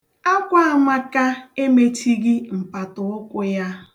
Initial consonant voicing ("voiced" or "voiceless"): voiceless